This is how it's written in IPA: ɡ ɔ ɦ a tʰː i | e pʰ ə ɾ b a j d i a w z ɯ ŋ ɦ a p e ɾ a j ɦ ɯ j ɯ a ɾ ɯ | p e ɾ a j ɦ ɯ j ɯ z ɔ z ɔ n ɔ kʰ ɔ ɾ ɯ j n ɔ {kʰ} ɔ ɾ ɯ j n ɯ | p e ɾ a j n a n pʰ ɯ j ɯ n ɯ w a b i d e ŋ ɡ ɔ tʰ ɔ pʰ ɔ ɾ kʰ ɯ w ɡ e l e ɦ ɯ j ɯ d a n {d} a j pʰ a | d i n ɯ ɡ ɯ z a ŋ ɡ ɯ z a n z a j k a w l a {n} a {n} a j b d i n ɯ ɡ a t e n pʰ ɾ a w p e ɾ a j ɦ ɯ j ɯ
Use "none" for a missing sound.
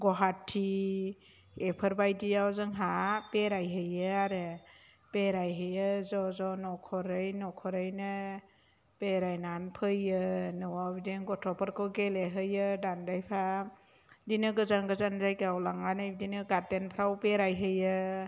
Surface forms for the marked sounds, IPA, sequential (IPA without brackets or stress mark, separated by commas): kʰ, d, ŋ, n